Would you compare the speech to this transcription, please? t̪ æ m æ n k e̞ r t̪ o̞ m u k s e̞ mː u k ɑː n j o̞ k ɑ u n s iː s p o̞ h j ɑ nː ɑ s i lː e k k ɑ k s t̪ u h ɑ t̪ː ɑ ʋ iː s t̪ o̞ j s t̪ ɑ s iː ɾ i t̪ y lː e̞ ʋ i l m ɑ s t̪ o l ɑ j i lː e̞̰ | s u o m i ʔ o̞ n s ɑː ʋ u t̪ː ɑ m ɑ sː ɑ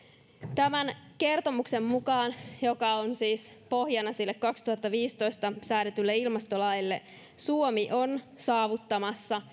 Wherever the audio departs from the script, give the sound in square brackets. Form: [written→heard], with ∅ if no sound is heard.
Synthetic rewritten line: t̪ æ m æ n k e̞ r t̪ o̞ m u k s e̞ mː u k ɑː n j o̞ k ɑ [u→o] n s iː s p o̞ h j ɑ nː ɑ s i lː e k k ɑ k s t̪ u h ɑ t̪ː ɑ ʋ iː s t̪ o̞ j s t̪ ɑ s [iː→æː] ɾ [i→e] t̪ y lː e̞ [ʋ→∅] i l m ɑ s t̪ o l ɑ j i lː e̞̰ | s u o m i ʔ o̞ n s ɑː ʋ u t̪ː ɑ m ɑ sː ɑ